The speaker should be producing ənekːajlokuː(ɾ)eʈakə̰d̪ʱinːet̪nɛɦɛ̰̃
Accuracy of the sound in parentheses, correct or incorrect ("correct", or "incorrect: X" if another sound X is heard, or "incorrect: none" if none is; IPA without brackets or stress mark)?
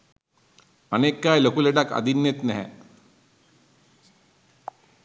incorrect: l